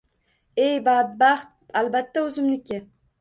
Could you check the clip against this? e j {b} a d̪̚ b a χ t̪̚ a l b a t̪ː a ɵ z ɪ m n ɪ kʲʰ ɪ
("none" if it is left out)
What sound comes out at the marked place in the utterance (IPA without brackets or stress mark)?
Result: b